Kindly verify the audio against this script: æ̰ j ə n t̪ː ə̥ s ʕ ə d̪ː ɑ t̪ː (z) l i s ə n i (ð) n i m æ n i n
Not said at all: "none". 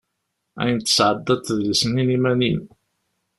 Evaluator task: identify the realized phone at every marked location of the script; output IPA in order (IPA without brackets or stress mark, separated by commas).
ð, none